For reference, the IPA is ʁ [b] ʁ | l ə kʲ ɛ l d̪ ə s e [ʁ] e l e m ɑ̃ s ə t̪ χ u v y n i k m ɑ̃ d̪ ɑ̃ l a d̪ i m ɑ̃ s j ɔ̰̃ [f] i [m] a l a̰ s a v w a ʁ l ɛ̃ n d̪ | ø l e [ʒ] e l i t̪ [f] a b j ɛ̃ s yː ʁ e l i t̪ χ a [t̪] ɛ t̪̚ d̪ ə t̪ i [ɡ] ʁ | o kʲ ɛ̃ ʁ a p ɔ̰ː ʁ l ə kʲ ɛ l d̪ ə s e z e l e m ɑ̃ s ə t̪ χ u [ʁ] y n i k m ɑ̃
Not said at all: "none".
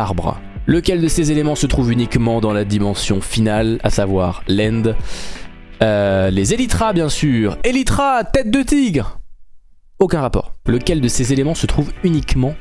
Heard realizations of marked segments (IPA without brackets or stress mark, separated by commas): b, z, f, n, z, χ, t̪, ɡ, v